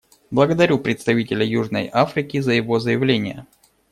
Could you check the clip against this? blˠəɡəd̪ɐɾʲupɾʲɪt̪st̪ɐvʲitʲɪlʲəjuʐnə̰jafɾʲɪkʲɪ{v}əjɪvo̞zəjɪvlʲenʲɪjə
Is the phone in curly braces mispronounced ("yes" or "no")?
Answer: yes